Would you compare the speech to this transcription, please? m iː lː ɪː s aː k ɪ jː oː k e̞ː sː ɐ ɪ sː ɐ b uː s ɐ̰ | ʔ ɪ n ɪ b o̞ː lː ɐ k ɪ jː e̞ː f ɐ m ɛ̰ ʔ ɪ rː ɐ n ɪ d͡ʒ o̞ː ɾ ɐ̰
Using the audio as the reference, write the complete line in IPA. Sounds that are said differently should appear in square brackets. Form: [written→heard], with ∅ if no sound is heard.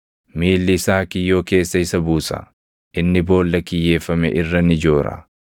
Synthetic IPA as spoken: m iː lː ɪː s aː k ɪ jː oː k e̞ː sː ɐ ɪ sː ɐ b uː s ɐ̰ | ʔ ɪ [n→nː] ɪ b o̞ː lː ɐ k ɪ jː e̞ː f ɐ m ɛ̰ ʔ ɪ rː ɐ n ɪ d͡ʒ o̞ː ɾ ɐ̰